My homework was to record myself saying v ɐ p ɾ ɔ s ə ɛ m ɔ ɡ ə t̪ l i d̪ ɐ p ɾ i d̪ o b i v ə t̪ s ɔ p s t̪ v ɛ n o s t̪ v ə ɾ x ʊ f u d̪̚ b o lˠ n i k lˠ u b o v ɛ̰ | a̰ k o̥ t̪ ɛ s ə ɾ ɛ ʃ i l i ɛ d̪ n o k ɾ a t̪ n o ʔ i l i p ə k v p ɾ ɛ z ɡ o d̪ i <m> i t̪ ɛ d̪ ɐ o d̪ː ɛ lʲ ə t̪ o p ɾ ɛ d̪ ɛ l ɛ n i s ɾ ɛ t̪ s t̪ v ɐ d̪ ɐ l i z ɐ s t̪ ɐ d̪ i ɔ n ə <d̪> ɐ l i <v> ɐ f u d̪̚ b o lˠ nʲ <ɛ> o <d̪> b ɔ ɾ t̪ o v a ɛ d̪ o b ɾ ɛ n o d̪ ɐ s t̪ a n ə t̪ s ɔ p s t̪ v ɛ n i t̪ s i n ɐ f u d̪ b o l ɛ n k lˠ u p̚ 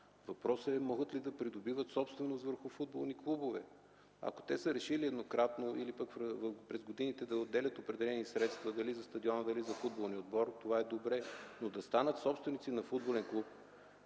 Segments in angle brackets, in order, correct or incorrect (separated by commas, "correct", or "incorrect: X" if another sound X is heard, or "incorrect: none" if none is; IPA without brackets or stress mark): incorrect: n, correct, incorrect: z, incorrect: i, correct